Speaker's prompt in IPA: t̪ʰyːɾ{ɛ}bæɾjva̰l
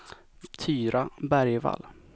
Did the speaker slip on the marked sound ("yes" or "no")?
yes